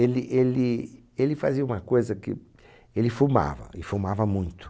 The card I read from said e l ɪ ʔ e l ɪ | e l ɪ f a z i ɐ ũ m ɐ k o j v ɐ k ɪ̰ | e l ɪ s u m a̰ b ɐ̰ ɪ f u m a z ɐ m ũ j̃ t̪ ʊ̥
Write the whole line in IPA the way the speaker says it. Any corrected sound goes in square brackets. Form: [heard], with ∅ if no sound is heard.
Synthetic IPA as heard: e l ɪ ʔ e l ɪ | e l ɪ f a z i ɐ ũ m ɐ k o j [z] ɐ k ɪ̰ | e l ɪ [f] u m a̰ [v] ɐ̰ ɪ f u m a [v] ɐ m ũ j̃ t̪ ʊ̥